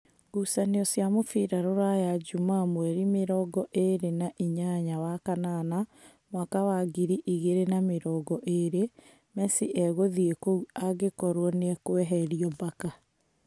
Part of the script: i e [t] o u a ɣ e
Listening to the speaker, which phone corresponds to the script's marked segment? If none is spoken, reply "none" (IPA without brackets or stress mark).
k